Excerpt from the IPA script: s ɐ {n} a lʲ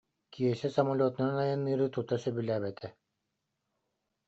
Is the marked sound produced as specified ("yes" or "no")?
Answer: no